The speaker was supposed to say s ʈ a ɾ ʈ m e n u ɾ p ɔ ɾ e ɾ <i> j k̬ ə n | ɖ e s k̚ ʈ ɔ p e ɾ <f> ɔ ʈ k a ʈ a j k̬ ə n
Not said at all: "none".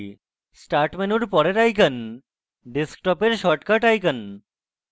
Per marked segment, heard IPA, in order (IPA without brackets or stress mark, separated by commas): a, ʃ